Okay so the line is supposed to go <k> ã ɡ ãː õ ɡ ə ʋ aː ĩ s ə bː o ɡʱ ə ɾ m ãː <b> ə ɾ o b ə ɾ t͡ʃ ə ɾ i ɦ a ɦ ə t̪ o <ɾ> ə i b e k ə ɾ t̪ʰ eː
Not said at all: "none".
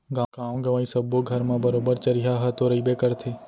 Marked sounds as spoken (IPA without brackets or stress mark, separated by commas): ɡ, b, ɾ